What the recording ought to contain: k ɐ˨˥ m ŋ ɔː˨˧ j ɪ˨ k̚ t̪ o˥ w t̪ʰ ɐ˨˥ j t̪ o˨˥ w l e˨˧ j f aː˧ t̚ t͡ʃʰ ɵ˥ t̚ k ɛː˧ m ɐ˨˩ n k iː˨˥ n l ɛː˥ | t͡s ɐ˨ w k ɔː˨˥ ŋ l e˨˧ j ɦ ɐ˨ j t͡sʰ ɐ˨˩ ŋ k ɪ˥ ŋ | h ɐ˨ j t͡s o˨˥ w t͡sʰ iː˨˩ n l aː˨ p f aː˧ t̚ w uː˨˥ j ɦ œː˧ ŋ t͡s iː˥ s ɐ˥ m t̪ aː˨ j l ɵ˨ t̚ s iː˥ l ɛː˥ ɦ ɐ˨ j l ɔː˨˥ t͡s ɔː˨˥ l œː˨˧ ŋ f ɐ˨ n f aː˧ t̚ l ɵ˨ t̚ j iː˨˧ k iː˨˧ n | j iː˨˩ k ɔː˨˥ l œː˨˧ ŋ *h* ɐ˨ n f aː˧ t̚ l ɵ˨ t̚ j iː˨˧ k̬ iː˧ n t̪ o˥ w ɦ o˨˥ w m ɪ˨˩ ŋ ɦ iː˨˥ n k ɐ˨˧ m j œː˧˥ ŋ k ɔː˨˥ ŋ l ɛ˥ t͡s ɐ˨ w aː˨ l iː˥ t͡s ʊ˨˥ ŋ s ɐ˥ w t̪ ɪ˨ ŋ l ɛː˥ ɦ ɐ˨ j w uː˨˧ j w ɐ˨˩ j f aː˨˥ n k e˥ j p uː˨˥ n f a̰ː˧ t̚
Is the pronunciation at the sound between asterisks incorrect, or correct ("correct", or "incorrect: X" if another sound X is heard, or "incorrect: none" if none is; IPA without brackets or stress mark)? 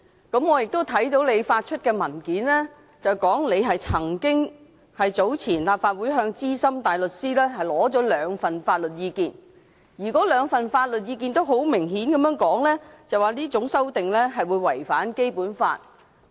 incorrect: f